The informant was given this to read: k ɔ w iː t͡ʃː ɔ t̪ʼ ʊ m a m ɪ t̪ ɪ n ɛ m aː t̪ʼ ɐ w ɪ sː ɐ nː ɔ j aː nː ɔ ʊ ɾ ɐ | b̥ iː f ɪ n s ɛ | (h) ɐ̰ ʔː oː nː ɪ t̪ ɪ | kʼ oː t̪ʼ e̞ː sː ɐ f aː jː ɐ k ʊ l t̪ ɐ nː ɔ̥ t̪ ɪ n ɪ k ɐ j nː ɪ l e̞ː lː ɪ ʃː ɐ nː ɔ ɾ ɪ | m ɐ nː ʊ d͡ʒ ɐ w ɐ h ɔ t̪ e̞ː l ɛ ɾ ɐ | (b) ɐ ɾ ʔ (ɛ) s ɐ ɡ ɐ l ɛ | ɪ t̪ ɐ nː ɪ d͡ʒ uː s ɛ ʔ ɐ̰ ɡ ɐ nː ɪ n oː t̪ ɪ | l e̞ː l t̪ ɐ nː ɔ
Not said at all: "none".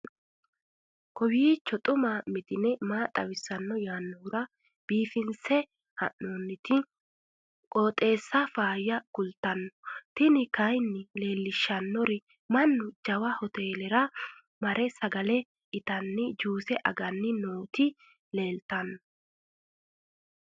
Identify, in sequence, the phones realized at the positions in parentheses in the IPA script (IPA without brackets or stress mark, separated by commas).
h, m, ɛ